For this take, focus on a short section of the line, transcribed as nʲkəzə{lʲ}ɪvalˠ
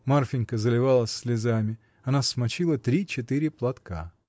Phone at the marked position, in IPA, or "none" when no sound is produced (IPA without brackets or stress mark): lʲ